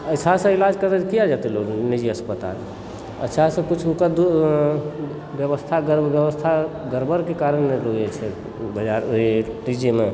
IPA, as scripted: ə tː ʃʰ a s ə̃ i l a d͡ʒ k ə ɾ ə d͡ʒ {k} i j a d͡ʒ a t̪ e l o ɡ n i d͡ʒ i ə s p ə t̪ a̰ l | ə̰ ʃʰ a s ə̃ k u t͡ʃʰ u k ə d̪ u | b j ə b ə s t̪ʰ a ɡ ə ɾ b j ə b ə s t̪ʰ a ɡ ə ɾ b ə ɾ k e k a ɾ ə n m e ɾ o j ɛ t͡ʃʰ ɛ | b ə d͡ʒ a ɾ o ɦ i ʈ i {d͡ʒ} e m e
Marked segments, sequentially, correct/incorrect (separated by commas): correct, correct